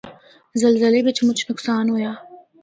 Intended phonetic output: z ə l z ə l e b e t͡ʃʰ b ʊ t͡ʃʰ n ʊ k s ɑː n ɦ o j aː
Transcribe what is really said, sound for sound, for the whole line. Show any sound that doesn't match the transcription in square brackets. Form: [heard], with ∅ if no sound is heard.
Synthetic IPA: z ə l z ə l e b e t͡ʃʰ [m] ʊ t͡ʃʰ n ʊ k s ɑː n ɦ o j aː